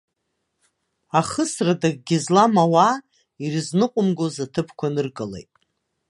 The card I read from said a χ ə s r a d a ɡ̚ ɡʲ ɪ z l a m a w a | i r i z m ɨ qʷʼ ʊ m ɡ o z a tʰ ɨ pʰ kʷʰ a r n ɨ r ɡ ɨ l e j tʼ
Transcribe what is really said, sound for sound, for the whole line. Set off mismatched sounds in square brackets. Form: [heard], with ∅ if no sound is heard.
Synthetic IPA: a χ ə s r a d a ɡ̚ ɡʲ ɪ z l a m a w a | i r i z [n] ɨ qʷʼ ʊ m ɡ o z a tʰ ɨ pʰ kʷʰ a [∅] n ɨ r ɡ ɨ l e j tʼ